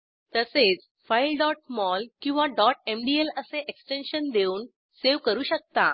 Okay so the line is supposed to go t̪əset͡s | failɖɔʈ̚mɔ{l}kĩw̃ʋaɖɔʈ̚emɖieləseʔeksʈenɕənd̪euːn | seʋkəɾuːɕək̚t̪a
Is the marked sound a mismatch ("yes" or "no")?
no